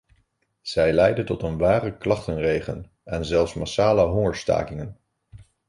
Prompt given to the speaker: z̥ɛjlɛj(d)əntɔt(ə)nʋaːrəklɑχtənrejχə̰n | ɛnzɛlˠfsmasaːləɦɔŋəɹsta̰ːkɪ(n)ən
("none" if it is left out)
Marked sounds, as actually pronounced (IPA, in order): d, ə, ŋ

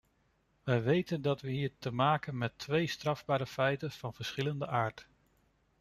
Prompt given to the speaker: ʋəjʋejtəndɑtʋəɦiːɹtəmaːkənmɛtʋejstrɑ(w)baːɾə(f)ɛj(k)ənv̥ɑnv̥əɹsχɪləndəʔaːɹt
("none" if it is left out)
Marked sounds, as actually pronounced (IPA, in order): v, f, t

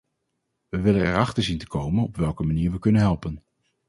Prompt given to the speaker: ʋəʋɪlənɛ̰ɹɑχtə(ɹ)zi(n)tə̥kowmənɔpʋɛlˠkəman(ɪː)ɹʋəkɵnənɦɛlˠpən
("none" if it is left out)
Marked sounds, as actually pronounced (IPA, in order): ɹ, n, iː

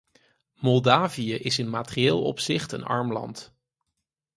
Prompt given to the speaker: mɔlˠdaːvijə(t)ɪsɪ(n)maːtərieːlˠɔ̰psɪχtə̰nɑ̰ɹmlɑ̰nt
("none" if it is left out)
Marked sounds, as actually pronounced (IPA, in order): ʔ, n

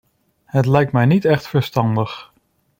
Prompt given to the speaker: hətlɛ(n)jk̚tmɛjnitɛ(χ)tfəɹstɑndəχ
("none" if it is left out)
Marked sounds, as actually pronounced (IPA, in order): none, χ

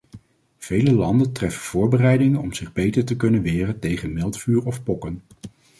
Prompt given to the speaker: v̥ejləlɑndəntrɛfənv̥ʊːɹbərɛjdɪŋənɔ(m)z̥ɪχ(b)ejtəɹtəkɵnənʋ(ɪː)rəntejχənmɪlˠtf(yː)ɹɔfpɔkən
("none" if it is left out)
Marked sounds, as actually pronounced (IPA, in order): m, b, ɪː, yː

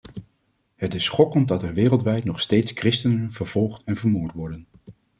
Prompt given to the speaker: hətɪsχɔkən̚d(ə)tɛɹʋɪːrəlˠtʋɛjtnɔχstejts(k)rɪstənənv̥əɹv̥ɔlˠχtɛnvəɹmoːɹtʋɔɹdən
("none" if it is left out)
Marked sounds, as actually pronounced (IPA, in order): ɑ, k

